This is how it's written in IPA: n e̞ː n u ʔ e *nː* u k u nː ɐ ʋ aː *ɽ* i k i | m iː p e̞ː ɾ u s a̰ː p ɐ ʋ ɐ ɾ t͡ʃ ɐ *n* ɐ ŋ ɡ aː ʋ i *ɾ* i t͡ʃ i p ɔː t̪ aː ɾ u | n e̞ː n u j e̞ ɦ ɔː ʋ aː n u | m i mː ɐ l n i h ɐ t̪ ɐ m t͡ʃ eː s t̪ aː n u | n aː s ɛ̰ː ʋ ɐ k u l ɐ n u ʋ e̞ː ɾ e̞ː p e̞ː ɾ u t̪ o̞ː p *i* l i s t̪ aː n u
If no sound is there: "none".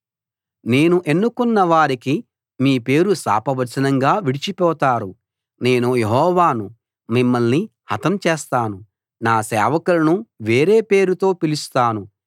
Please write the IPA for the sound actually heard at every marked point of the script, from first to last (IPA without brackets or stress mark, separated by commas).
nː, ɾ, n, ɽ, i